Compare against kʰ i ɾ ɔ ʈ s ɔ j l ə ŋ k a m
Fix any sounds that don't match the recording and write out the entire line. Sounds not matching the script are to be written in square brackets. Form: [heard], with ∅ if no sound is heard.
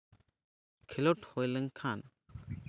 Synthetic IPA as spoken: kʰ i [l] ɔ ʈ [h] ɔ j l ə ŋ [kʰ] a [n]

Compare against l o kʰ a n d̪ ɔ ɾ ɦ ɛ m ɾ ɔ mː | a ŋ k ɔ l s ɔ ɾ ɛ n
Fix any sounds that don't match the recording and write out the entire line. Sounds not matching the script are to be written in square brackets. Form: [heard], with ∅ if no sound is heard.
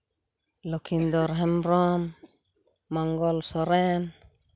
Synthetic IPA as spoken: l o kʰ [i] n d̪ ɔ ɾ ɦ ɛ m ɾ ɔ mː | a ŋ [ɡ] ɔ l s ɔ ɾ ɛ n

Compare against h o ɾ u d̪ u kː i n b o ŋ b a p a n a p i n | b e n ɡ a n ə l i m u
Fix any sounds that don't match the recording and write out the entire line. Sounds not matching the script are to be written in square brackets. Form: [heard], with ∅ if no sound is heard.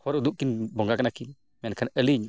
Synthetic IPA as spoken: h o ɾ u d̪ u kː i n b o ŋ [ɡ] a [k] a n a [k] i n | [m] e n [k] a n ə l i [ɲ] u

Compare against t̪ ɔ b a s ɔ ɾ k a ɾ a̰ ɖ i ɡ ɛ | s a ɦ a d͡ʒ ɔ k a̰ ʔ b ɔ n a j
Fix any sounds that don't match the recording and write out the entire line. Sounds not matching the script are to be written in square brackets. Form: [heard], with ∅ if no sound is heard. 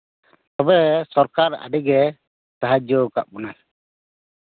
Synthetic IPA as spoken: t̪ ɔ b [ɛ] s ɔ ɾ k a ɾ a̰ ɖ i ɡ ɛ | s a ɦ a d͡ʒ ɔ k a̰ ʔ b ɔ n a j

